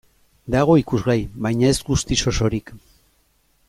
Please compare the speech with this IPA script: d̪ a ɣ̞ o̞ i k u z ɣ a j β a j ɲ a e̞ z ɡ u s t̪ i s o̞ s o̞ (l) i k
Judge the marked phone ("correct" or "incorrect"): incorrect